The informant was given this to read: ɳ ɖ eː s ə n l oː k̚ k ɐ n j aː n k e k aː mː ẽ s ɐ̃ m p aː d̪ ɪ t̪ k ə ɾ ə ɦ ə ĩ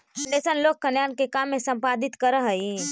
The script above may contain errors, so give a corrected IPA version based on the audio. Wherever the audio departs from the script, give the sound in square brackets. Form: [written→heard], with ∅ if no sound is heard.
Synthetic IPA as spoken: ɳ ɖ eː s ə n l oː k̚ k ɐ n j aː n k e k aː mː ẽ s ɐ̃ m p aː d̪ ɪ t̪ k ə ɾ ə ɦ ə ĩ